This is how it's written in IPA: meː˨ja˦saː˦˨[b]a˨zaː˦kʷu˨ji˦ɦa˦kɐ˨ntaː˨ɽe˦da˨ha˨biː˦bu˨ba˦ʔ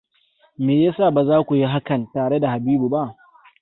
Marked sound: correct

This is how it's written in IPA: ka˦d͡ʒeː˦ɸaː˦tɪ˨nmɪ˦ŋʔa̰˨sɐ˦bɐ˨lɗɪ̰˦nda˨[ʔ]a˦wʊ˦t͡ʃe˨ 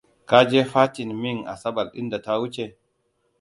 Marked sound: incorrect: t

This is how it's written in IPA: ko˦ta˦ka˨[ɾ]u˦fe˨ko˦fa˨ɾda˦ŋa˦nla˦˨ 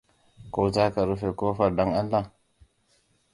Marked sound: correct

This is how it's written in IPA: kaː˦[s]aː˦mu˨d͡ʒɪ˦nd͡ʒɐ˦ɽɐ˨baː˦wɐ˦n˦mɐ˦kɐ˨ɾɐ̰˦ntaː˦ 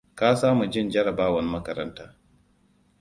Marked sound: correct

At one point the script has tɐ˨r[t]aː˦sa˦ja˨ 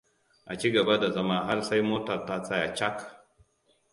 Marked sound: correct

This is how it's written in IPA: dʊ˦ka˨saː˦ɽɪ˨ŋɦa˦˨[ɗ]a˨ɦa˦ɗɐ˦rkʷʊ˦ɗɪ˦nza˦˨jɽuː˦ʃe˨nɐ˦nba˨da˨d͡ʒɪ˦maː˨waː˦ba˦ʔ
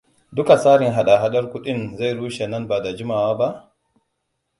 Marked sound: correct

